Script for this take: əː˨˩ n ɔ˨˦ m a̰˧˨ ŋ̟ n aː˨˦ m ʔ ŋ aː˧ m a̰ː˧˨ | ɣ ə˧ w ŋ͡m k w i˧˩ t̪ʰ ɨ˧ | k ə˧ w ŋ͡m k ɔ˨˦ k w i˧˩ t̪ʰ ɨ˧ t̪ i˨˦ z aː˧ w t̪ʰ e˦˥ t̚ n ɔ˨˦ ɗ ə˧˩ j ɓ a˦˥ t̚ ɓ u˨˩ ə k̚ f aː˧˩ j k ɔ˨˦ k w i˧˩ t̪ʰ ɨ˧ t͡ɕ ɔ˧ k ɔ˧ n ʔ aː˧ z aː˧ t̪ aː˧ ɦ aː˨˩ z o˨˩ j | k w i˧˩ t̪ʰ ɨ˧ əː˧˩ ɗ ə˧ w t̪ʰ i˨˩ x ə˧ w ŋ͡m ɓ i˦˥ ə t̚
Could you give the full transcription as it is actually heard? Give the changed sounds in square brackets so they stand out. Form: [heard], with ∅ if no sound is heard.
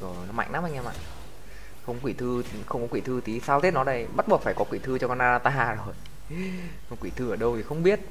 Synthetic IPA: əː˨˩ n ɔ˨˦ m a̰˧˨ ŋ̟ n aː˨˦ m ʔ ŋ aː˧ m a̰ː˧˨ | [x] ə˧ w ŋ͡m k w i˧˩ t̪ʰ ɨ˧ | [x] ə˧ w ŋ͡m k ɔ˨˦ k w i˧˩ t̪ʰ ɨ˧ t̪ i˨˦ [s] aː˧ w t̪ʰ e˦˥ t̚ n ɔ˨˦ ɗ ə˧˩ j ɓ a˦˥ t̚ ɓ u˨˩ ə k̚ f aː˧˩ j k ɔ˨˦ k w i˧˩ t̪ʰ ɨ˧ t͡ɕ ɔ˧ k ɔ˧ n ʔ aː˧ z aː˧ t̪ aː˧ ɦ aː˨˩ z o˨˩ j | k w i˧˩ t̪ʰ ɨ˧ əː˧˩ ɗ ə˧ w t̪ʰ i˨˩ x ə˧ w ŋ͡m ɓ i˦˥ ə t̚